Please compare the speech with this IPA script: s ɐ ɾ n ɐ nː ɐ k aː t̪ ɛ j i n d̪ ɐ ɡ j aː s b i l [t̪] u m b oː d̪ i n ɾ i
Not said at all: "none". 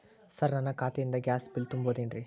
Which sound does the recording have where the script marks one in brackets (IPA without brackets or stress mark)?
t̪